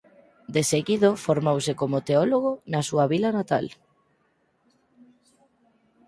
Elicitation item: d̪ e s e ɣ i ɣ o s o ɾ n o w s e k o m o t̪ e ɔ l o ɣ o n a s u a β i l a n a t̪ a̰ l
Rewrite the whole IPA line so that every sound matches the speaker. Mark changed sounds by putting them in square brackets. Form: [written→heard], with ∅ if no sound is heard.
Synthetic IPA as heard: d̪ e s e ɣ i [ɣ→ð] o [s→f] o ɾ [n→m] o w s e k o m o t̪ e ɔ l o ɣ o n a s u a β i l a n a t̪ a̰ l